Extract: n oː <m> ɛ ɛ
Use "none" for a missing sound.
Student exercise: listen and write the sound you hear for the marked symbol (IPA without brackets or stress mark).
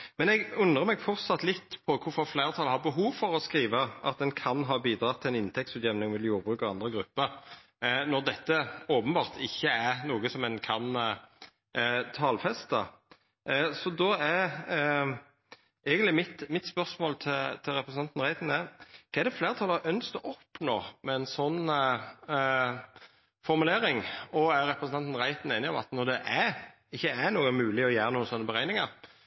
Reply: m